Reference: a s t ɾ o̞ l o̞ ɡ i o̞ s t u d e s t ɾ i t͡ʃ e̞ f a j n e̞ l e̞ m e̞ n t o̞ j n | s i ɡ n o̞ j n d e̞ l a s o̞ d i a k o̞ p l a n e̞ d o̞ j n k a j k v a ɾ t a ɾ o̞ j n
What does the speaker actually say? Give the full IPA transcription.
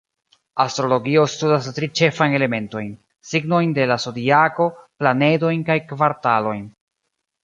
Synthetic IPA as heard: a s t ɾ o̞ l o̞ ɡ i o̞ s t u d a s t ɾ i t͡ʃ e̞ f a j n e̞ l e̞ m e̞ n t o̞ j n | s i ɡ n o̞ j n d e̞ l a s o̞ d i a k o̞ p l a n e̞ d o̞ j n k a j k v a ɾ t a l o̞ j n